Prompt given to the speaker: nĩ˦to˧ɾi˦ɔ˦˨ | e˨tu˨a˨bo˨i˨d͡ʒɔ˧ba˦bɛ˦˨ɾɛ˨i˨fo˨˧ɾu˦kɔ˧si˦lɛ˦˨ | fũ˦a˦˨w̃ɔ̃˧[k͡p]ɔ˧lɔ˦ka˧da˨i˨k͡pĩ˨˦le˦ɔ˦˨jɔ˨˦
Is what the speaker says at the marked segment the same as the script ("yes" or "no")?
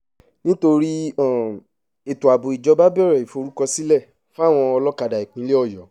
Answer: no